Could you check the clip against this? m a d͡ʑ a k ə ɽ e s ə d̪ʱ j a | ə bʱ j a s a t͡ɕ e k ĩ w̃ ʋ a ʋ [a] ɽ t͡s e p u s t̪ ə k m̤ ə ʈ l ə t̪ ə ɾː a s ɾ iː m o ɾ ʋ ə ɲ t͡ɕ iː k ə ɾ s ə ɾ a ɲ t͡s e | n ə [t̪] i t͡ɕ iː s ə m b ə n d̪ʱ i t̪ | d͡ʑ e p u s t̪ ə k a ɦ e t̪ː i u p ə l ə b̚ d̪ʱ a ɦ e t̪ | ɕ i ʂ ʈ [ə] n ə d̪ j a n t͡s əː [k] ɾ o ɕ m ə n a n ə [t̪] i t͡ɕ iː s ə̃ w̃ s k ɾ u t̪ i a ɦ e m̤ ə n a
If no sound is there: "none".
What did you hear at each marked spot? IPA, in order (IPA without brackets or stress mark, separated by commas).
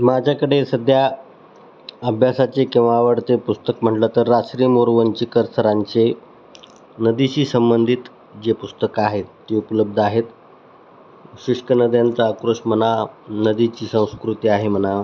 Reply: ə, d̪, ə, k, d̪